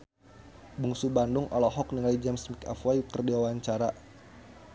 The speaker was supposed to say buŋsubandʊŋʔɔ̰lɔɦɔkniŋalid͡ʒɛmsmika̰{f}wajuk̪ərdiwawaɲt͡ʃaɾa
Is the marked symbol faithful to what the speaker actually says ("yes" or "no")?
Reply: yes